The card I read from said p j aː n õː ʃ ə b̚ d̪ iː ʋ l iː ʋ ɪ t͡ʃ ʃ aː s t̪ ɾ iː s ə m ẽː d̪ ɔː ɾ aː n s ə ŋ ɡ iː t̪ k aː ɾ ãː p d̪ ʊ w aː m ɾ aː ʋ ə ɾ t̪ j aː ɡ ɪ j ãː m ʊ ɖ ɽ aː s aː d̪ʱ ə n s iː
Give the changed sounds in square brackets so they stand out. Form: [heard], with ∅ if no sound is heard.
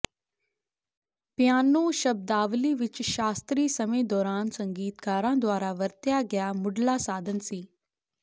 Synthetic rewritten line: p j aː n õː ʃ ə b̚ d̪ [aː] ʋ l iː ʋ ɪ t͡ʃ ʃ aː s t̪ ɾ iː s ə m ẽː d̪ ɔː ɾ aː n s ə ŋ ɡ iː t̪ k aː ɾ ãː [∅] d̪ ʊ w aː [∅] ɾ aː ʋ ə ɾ t̪ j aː ɡ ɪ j [aː] m ʊ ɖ [l] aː s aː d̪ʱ ə n s iː